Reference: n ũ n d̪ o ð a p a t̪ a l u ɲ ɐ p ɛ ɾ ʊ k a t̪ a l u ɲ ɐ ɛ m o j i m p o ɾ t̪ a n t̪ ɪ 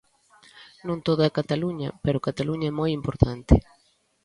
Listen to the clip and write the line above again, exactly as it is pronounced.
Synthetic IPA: n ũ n t̪ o ð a k a t̪ a l u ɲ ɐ p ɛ ɾ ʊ k a t̪ a l u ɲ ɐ ɛ m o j i m p o ɾ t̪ a n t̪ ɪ